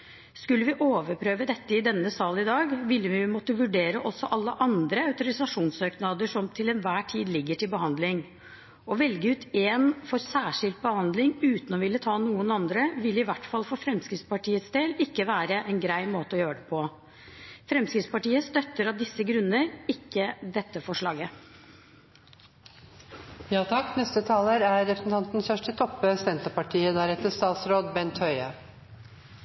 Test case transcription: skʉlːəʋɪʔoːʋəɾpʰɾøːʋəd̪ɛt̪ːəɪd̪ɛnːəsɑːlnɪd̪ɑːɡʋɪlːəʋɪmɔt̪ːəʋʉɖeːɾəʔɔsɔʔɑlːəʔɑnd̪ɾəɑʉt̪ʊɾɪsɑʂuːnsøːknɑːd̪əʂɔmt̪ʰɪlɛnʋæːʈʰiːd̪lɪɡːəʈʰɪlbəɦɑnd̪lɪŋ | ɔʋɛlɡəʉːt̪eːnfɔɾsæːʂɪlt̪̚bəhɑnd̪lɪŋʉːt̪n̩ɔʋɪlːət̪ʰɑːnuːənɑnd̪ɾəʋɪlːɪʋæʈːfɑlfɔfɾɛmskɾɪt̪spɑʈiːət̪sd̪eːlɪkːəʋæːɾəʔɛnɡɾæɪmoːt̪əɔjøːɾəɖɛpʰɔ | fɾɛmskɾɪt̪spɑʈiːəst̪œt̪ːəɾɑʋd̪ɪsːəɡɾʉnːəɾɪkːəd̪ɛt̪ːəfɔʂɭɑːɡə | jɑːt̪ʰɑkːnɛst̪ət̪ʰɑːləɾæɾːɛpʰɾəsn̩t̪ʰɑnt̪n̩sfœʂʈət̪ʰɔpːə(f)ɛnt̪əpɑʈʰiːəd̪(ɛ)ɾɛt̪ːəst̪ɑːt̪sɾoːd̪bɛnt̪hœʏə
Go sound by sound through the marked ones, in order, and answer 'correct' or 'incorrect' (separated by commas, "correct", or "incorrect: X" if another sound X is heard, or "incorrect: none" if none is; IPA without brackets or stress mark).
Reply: incorrect: s, incorrect: æ